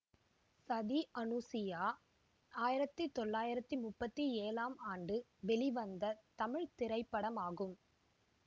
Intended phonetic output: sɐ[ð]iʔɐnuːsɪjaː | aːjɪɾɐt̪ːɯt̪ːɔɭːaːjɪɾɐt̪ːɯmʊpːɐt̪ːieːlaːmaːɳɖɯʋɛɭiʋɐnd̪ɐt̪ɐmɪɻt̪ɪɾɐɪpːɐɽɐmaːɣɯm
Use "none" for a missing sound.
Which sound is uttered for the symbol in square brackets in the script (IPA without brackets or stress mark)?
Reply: ð